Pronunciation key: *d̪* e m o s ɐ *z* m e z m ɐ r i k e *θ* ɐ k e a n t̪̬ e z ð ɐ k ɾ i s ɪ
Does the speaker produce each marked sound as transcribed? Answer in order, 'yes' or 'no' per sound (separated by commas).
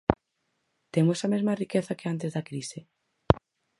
no, no, yes